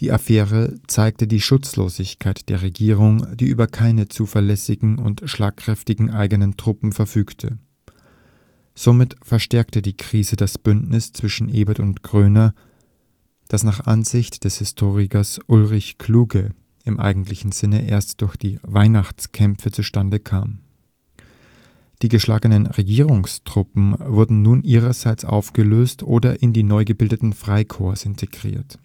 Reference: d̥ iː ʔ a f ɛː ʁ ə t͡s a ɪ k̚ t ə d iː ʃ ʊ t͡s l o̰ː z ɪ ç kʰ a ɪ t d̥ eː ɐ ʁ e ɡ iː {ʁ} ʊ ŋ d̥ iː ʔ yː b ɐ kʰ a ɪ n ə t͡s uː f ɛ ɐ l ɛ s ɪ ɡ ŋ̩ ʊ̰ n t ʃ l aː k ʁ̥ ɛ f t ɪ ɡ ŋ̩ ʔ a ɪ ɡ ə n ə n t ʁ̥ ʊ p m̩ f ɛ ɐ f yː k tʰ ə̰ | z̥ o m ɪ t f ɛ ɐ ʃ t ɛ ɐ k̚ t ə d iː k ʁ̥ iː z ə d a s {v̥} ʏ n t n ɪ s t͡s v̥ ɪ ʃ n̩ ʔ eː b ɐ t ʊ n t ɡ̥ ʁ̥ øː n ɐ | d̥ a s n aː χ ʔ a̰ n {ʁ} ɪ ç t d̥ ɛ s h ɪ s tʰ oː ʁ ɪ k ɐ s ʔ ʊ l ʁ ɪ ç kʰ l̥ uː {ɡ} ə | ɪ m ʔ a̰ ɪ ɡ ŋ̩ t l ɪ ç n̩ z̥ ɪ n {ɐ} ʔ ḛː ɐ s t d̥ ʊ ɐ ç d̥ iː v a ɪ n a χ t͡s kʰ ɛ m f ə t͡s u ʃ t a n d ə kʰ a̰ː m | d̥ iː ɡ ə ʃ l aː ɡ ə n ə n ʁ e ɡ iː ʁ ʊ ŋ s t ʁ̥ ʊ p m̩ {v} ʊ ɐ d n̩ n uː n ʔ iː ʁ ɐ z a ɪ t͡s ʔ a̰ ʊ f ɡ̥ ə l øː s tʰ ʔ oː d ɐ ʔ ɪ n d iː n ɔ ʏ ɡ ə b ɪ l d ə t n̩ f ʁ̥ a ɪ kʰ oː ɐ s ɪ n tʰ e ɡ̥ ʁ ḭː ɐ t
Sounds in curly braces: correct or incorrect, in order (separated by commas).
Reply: correct, incorrect, incorrect, correct, incorrect, correct